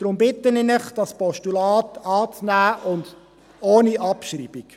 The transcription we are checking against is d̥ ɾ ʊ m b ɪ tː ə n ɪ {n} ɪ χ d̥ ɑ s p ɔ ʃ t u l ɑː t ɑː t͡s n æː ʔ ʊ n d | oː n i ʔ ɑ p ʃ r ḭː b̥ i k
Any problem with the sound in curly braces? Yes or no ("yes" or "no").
no